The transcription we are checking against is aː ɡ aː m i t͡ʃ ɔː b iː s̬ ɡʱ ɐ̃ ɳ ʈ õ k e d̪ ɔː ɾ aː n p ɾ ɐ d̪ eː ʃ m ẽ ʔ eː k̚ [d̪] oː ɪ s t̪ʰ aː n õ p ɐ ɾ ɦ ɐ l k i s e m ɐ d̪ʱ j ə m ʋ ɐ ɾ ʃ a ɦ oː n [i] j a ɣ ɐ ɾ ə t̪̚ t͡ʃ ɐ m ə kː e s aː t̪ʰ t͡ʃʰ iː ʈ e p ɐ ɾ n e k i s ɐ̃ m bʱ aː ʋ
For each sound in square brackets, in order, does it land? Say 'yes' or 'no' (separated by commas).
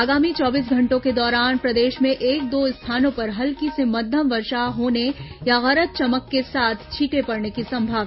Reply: yes, no